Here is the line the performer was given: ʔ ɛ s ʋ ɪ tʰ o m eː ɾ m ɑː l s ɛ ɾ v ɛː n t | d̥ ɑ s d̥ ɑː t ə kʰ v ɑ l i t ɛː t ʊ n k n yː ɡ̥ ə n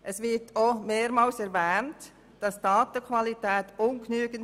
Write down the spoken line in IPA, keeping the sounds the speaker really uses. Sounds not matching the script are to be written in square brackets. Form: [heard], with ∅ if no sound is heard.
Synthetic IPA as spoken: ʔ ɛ s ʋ ɪ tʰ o m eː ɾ m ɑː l s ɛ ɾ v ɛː n t | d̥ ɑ s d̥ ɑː t ə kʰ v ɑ l i t ɛː t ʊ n k n yː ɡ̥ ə n

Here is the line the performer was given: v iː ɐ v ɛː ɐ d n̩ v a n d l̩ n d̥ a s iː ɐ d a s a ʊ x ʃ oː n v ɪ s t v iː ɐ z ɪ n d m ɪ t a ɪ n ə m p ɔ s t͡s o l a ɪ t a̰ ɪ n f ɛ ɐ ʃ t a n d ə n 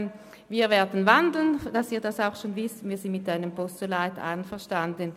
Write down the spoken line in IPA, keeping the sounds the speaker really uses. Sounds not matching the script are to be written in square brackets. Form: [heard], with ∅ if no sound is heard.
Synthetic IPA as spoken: v iː ɐ v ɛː ɐ d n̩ v a n d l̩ n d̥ a s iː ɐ d a s a ʊ x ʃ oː n v ɪ s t v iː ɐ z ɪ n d m ɪ t a ɪ n ə m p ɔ s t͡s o l a ɪ t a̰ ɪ n f ɛ ɐ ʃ t a n d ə n

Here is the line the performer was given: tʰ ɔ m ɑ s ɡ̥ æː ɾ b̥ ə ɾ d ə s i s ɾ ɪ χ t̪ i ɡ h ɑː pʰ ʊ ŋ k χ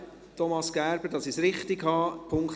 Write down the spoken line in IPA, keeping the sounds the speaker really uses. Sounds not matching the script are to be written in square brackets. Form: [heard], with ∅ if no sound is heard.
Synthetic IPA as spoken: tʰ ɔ m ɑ s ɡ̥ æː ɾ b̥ ə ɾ d [ɑ] s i s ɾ ɪ χ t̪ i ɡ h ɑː pʰ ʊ ŋ k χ

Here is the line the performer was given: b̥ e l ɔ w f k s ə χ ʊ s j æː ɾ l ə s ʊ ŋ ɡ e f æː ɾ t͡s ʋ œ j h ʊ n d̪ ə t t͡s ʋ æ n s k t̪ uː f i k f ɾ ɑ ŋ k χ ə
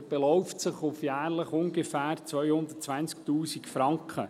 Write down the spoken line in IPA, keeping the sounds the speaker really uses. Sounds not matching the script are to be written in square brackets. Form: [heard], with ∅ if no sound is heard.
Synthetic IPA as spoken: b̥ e l ɔ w f [t] s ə χ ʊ [f] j æː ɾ l ə [χ] ʊ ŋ ɡ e f æː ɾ t͡s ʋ œ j h ʊ n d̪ ə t t͡s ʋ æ n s k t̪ uː [s] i k f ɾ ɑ ŋ k χ ə

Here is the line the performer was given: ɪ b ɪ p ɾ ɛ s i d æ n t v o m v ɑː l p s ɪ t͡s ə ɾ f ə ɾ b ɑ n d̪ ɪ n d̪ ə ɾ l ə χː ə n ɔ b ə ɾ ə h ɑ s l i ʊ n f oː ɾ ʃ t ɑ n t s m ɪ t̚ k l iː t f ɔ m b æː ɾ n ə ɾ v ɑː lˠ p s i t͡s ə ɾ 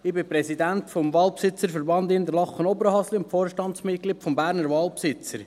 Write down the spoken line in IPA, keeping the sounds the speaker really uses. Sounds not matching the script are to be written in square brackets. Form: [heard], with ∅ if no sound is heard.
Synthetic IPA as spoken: ɪ b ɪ p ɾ ɛ s i d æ n t [f] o m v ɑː l p s ɪ t͡s ə ɾ f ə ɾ b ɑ n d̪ ɪ n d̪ ə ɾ l [ɑ] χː ə n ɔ b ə ɾ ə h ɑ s l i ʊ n f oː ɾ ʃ t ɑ n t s m ɪ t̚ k l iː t f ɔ m b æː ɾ n ə ɾ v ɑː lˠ p s [ɪ] t͡s ə ɾ

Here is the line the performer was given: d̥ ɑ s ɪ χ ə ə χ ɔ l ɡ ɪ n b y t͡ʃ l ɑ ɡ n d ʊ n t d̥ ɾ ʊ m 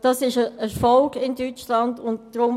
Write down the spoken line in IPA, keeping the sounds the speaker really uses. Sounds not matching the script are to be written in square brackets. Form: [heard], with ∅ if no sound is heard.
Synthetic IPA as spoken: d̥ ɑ s ɪ [ʃ] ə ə [f] ɔ l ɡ ɪ n [d] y t͡ʃ l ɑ [∅] n d ʊ n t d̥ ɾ ʊ m

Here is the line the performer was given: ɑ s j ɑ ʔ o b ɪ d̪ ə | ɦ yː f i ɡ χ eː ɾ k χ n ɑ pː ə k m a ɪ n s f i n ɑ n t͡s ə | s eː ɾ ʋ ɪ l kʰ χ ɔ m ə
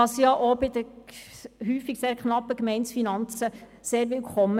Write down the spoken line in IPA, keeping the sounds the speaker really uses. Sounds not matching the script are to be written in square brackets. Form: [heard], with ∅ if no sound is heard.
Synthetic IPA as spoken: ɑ s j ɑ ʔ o b ɪ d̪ ə | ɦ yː f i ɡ [s] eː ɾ k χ n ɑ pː ə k m [ɛ] ɪ n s f i n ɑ n t͡s ə | s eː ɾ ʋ ɪ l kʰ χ ɔ m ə

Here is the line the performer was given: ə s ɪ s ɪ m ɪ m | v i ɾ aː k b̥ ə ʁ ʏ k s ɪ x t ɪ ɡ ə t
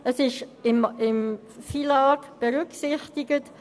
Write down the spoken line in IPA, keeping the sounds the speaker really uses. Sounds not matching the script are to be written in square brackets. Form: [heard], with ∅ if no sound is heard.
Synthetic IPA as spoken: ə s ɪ [ʃ] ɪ m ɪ m | [f] i [l] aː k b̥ ə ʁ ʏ k s ɪ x t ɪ ɡ ə t

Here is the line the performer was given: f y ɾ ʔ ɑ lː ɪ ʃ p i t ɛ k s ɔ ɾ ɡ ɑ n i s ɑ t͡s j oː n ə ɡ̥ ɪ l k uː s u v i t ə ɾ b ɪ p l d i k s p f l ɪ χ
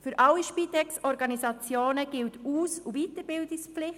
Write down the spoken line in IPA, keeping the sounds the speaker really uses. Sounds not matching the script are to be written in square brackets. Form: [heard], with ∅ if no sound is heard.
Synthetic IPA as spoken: f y ɾ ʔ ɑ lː [i] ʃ p i t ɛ k s ɔ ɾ ɡ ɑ n i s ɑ t͡s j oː n ə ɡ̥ ɪ l [t] uː s u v i t ə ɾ b ɪ [∅] l d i k s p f l ɪ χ

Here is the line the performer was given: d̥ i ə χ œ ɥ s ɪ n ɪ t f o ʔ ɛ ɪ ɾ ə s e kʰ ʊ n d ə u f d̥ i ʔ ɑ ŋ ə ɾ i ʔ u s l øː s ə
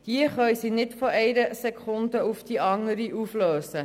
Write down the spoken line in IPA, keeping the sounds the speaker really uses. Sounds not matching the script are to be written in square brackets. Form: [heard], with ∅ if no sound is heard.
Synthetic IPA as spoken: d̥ i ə χ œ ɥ s [i] n ɪ t f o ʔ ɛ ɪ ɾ ə s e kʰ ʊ n d ə u f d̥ i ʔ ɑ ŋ ə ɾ i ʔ u [f] l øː s ə

